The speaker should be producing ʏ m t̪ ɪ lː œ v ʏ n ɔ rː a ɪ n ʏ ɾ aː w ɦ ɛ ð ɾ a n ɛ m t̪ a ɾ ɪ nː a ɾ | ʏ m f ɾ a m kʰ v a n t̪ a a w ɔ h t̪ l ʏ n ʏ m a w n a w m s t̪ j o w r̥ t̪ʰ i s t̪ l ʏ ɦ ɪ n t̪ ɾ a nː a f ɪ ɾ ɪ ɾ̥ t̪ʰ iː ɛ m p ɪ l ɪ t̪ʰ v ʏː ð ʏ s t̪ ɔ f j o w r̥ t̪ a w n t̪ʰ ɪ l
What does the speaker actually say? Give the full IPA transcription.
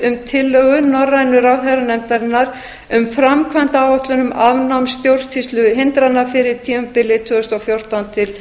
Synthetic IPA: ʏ m t̪ʰ ɪ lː œ ɣ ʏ n ɔ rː a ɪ n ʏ ɾ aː w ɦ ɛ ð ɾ a n ɛ m t̪ a ɾ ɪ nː a ɾ | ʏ m f ɾ a m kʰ v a n t̪ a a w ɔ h t̪ l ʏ n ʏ m a v n a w m s t̪ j o w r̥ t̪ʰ i s t̪ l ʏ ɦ ɪ n t̪ ɾ a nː a f ɪ ɾ ɪ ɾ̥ t̪ʰ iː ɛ m p ɪ l ɪ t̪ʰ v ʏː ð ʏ s t̪ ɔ f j o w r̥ t̪ a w n t̪ʰ ɪ l